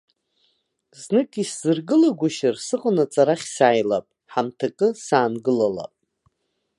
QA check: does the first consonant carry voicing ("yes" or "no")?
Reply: yes